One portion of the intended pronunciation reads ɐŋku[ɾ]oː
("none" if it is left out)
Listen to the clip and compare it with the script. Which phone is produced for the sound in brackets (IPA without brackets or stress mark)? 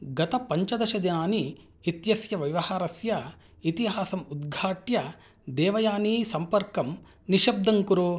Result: ɾ